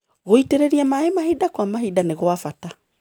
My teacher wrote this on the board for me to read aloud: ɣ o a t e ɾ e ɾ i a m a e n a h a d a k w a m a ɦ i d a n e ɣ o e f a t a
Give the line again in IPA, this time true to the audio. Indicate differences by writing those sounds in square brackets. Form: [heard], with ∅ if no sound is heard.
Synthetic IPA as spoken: ɣ o [i] t e ɾ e ɾ i a m a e [m] a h [i] d a k w a m a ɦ i d a n e ɣ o [a] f a t a